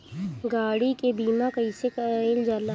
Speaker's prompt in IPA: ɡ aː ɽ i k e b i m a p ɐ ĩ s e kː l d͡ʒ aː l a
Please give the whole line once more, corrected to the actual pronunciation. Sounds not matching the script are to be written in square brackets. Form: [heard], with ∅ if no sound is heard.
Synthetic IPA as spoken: ɡ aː ɽ i k e b [iː] m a [k] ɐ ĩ s e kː l d͡ʒ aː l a